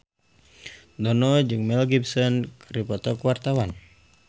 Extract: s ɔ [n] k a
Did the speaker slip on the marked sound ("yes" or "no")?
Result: no